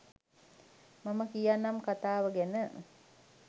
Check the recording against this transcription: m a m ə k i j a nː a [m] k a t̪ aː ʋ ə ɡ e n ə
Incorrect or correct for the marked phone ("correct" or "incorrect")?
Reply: correct